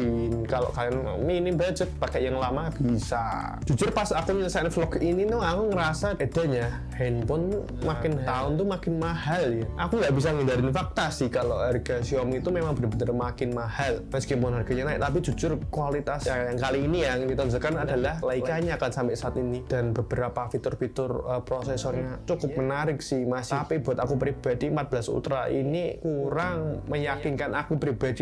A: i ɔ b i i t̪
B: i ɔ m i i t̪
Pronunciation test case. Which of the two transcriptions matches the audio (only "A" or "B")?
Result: B